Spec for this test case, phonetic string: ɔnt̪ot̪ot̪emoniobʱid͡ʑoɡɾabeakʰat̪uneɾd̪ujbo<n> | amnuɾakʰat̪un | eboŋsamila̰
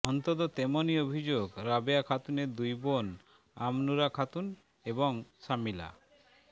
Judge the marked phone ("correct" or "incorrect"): correct